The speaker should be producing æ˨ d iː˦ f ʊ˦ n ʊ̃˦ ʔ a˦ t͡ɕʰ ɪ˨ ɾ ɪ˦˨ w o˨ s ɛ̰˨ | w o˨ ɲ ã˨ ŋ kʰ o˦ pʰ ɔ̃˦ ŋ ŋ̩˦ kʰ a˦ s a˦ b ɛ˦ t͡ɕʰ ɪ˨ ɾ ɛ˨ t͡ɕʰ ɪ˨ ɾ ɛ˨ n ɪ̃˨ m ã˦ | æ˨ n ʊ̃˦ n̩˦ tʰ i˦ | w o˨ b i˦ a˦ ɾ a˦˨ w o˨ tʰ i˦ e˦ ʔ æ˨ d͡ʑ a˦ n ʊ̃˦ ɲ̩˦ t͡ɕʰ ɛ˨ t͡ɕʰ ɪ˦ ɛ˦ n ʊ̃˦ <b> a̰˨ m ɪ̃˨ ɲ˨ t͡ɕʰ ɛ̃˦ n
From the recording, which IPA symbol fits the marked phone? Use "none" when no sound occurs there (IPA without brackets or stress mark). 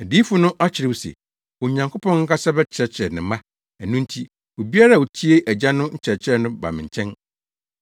b